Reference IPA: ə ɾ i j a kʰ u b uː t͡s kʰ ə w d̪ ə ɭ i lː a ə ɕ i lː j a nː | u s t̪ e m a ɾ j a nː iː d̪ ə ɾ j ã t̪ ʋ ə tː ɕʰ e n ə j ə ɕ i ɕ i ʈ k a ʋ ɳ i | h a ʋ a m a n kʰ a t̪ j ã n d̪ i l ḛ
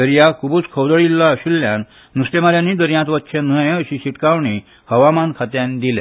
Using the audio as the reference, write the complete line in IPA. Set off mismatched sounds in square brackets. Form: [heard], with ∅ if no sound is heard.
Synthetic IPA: ə ɾ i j a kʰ u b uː t͡s kʰ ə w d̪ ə ɭ i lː a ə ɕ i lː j a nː | u s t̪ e m a ɾ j a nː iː d̪ ə ɾ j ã t̪ ʋ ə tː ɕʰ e n ə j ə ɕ i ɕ i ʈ k a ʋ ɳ i | h [ə] ʋ a m a n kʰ a t̪ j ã n d̪ i l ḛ